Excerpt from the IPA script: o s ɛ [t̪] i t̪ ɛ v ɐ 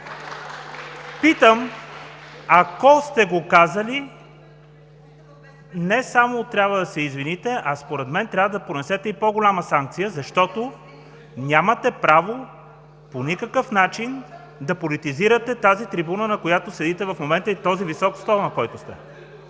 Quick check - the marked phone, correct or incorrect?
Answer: incorrect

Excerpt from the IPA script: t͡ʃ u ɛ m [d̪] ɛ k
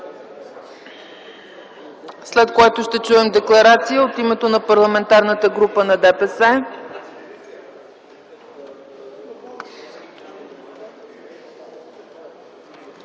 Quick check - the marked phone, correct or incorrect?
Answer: correct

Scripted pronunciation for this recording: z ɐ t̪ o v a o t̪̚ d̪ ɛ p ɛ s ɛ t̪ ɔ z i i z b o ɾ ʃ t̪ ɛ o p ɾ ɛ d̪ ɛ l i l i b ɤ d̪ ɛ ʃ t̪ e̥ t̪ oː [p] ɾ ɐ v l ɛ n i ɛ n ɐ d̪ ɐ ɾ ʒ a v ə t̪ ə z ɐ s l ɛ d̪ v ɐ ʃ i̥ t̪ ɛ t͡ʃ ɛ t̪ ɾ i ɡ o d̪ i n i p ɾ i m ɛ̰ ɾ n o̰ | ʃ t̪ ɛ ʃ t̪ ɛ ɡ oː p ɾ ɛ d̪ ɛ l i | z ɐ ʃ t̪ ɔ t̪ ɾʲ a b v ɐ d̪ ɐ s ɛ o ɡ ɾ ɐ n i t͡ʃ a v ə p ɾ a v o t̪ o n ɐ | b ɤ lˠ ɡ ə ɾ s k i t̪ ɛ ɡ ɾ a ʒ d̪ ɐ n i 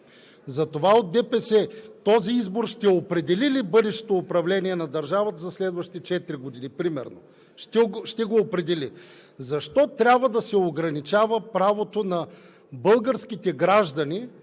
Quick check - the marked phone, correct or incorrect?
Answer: correct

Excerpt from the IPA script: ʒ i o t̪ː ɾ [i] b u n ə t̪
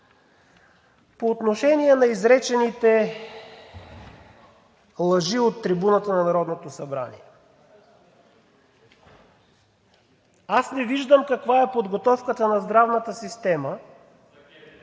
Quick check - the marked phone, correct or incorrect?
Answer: correct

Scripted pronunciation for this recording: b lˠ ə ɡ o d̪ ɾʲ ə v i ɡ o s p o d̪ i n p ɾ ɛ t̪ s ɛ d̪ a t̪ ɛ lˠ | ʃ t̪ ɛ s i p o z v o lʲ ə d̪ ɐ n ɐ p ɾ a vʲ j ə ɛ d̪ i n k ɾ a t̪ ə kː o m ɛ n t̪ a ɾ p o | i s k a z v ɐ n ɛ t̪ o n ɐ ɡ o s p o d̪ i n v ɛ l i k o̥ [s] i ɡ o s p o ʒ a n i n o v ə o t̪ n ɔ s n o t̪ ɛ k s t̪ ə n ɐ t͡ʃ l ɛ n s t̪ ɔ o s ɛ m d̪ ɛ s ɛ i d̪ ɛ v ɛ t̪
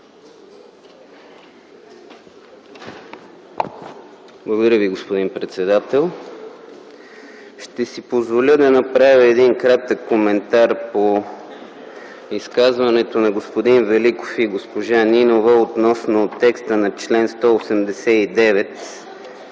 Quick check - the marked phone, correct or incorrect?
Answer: incorrect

